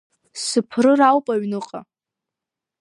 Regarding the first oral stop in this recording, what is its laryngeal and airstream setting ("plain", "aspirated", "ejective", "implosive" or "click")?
aspirated